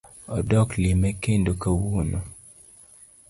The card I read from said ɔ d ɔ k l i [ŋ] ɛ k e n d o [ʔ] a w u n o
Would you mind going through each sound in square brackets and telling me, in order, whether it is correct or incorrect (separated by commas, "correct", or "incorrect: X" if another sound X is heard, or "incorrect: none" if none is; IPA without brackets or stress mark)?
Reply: incorrect: m, incorrect: k